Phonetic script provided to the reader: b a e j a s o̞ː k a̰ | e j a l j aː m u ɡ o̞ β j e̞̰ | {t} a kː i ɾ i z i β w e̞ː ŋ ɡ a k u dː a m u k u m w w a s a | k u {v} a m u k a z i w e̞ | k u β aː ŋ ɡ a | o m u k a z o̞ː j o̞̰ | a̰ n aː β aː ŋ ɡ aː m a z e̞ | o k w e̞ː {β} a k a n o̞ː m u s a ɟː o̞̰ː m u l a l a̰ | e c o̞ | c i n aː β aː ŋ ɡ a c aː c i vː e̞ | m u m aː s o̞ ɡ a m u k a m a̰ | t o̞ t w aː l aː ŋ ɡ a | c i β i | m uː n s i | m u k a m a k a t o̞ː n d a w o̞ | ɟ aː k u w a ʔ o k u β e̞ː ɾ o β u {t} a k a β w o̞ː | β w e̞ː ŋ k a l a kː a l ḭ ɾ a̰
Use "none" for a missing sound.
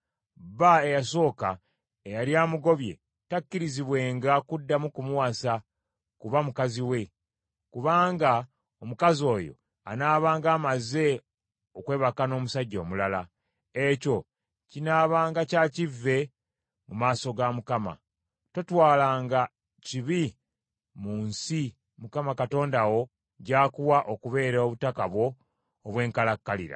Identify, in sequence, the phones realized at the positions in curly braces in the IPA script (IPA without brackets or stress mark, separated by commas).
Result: t, β, β, t